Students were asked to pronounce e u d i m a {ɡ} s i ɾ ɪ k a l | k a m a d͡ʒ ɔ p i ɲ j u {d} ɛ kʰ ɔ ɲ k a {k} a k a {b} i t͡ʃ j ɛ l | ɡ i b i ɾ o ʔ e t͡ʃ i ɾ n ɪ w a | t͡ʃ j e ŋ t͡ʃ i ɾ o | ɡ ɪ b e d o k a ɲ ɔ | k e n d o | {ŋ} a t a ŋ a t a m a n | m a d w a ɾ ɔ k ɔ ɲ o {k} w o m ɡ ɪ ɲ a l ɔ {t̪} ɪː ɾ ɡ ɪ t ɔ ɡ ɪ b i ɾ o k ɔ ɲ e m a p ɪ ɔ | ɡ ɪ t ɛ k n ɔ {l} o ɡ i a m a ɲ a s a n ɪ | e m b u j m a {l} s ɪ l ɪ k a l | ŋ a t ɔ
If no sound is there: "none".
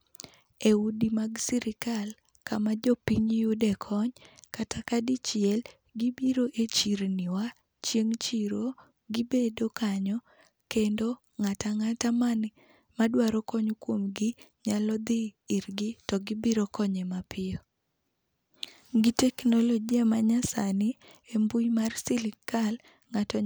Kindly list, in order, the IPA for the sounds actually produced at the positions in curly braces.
ɡ, d, t, d, ŋ, k, d̪, l, r

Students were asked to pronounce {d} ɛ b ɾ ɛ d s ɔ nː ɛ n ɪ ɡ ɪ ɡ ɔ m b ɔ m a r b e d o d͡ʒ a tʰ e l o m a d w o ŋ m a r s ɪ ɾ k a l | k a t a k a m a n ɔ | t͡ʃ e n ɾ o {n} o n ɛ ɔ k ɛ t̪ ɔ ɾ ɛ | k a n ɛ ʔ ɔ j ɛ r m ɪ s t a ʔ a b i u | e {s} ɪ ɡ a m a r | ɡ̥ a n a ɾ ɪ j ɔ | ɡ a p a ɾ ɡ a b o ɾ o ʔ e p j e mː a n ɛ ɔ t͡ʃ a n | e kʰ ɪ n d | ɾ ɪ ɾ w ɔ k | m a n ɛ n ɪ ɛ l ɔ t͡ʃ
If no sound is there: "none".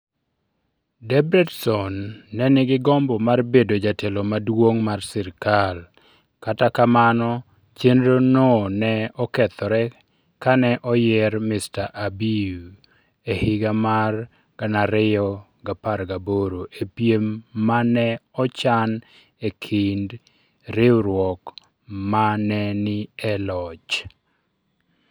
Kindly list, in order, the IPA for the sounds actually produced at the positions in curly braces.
d, n, h

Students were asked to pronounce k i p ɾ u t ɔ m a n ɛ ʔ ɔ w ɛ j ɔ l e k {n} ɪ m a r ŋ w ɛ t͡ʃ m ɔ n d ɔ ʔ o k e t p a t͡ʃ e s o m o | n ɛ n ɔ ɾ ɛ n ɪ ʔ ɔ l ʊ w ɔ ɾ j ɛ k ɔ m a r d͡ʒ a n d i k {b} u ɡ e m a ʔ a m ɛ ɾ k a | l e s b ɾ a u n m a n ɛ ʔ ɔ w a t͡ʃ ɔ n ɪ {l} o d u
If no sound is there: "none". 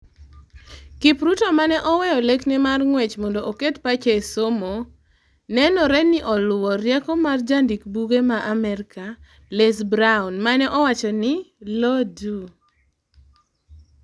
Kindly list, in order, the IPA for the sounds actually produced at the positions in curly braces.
n, b, l

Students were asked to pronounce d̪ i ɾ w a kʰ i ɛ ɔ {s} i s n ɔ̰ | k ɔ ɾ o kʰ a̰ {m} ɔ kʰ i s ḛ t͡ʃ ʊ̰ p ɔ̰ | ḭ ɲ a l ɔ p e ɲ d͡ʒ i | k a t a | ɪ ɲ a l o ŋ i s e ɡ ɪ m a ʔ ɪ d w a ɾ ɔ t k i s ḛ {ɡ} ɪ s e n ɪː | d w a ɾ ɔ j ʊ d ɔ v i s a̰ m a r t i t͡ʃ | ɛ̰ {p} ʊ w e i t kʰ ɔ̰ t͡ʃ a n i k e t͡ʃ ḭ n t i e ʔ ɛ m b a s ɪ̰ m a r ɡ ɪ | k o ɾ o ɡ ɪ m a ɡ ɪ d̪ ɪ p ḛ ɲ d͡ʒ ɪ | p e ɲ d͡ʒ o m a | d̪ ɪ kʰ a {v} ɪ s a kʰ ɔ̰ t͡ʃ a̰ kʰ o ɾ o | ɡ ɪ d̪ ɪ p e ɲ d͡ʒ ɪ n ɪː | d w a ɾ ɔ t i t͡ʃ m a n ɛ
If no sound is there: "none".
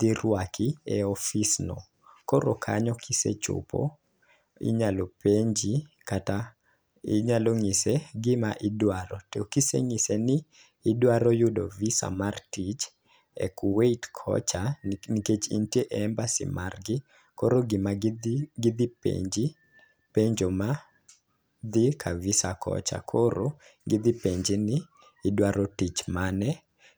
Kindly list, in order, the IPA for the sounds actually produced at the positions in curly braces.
f, ɲ, ŋ, k, v

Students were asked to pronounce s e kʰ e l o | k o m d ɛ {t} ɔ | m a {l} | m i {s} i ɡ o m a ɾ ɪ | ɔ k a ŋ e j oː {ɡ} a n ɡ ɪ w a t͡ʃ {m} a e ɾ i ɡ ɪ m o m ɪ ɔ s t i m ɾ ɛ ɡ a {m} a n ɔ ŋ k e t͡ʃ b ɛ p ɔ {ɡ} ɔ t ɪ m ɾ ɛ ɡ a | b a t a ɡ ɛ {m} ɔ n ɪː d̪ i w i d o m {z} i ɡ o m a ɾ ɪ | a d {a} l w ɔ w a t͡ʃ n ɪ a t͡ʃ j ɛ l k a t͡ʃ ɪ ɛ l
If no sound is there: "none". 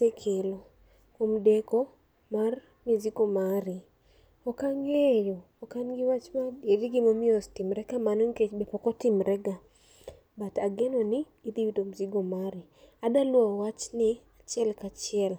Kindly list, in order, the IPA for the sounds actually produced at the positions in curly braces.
k, r, z, k, m, m, k, n, z, a

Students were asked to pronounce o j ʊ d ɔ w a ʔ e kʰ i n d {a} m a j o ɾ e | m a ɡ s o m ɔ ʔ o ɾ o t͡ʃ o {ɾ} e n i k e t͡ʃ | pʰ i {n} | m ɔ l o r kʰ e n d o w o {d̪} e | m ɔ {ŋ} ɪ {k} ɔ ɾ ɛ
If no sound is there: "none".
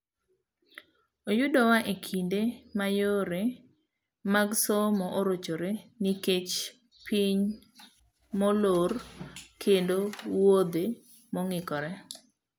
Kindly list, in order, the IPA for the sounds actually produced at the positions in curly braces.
e, ɾ, ɲ, d̪, ŋ, k

